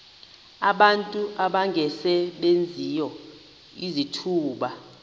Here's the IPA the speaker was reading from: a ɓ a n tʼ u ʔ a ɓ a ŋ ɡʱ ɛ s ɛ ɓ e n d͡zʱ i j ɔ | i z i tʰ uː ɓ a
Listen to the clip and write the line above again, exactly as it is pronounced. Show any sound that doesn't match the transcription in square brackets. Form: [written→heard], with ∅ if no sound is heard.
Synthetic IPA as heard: a ɓ a n tʼ u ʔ a ɓ a ŋ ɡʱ ɛ s ɛ ɓ e n d͡zʱ i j ɔ | i z i tʰ uː ɓ a